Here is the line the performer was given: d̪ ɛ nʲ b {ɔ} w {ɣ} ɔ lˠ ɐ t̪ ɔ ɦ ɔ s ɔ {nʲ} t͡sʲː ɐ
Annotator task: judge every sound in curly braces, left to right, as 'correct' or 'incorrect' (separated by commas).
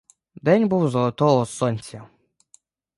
incorrect, incorrect, correct